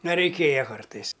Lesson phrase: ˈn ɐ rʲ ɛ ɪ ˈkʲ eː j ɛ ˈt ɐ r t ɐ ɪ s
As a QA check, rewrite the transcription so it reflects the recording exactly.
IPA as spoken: ˈn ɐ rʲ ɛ ɪ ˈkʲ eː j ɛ ˈk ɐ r t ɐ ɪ s